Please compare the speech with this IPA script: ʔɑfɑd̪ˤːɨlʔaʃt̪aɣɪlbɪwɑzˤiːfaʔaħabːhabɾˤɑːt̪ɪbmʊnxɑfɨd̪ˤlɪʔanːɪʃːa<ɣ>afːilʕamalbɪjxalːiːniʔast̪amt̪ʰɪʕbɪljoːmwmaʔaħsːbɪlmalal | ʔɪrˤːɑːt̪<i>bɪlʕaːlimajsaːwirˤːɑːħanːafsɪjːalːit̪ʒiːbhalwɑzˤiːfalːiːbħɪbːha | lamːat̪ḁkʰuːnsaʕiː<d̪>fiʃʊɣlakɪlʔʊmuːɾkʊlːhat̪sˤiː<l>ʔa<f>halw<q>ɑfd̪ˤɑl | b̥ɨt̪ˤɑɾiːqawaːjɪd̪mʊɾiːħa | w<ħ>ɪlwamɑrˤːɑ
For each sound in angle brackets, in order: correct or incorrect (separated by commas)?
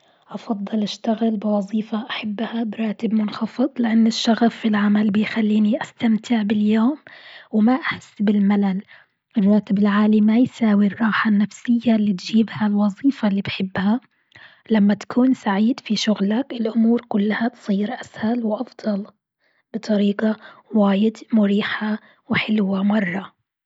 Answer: correct, incorrect, correct, incorrect, incorrect, incorrect, correct